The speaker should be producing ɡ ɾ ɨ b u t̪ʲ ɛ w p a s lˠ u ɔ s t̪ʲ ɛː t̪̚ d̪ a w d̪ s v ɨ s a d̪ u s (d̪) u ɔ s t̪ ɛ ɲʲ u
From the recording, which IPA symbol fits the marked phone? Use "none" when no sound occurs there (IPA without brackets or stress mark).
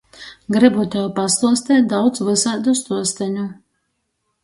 t̪